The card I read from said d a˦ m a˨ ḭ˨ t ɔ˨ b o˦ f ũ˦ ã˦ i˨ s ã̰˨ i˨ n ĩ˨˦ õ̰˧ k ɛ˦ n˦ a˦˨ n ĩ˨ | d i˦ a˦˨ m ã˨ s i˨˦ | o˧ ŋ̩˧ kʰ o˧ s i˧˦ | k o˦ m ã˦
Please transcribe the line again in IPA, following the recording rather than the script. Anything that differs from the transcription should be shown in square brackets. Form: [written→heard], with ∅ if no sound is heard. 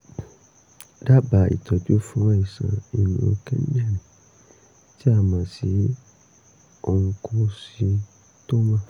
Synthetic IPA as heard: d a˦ [m→b] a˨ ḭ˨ t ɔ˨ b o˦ f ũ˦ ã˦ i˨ s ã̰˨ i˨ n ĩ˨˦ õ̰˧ k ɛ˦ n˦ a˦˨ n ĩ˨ | [d→t] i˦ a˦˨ m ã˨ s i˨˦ | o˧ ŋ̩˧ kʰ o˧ s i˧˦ | [k→t] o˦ m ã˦